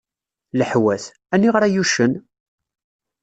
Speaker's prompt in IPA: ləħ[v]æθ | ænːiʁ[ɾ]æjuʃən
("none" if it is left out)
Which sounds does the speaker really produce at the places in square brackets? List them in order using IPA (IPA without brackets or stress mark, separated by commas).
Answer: w, ɾ